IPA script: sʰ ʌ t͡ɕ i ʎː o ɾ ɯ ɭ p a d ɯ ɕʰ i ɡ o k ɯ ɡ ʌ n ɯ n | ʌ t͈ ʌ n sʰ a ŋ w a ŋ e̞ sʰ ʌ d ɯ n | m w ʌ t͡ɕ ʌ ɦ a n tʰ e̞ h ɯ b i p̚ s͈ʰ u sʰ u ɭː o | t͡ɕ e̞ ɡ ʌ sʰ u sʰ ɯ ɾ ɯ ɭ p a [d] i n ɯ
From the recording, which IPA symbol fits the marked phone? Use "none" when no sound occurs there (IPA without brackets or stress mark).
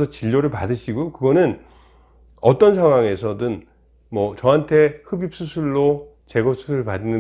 d